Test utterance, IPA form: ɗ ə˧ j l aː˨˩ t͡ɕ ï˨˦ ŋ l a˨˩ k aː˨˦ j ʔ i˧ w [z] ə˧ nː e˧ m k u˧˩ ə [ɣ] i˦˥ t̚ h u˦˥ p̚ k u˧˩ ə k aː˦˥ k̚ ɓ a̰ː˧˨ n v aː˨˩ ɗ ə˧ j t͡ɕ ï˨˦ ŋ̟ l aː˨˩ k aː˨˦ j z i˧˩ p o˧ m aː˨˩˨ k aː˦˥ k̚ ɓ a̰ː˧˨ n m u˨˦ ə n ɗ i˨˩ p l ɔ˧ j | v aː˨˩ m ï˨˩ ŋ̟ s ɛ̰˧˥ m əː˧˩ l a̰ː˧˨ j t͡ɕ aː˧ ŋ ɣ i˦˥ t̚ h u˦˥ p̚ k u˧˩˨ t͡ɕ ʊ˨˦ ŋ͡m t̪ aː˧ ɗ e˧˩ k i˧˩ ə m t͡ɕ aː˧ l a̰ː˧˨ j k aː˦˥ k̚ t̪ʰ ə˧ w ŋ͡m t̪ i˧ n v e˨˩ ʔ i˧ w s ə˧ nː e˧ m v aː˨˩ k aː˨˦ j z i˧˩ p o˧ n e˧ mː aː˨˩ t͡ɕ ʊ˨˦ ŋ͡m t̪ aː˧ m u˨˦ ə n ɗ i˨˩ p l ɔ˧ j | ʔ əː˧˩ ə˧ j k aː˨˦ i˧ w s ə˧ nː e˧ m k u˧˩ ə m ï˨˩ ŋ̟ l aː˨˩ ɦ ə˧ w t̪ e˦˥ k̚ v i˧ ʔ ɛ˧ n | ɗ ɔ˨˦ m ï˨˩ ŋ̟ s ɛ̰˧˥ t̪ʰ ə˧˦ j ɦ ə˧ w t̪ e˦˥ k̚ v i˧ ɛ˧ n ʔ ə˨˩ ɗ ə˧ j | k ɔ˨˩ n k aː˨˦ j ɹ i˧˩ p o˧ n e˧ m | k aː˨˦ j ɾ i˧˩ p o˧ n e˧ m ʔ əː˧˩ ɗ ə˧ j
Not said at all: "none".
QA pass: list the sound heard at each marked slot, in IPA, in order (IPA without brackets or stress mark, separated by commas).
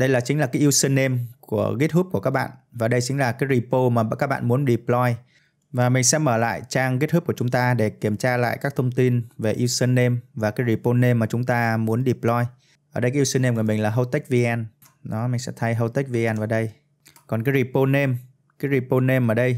s, ɣ